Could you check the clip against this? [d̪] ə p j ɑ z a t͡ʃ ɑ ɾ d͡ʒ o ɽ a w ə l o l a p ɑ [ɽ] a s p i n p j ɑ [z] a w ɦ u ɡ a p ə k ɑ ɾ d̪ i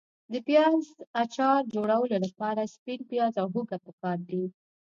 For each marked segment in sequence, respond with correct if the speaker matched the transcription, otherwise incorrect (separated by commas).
correct, incorrect, correct